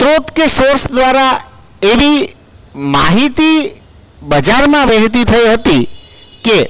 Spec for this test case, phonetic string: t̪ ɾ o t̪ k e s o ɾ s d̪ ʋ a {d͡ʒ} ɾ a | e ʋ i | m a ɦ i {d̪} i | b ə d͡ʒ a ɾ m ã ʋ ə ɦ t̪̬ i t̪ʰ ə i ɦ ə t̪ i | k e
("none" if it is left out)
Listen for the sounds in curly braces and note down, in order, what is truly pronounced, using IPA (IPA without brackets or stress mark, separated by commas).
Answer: none, t̪